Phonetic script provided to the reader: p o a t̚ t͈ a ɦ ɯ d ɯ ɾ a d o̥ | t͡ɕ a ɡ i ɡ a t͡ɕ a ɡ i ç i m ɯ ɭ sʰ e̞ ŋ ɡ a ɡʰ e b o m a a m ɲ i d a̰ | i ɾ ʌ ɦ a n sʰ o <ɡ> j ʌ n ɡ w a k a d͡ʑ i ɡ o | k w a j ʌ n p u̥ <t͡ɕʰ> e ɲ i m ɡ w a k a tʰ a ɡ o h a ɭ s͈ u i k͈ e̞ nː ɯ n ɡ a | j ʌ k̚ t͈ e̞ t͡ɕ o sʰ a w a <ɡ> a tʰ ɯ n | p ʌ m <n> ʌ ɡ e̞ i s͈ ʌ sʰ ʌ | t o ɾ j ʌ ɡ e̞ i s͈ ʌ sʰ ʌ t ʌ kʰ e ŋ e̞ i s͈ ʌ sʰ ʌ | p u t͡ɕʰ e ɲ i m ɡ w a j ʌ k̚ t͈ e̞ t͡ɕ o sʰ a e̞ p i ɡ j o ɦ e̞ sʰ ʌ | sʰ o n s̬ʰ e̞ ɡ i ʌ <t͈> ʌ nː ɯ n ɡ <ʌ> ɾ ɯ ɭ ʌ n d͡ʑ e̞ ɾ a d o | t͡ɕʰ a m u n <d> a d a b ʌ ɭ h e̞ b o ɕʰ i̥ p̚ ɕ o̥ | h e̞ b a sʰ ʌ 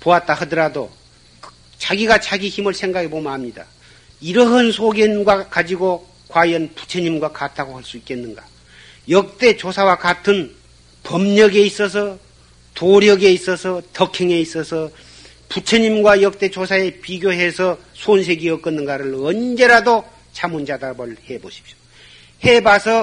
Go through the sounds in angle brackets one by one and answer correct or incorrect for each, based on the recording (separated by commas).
correct, correct, incorrect, incorrect, incorrect, incorrect, incorrect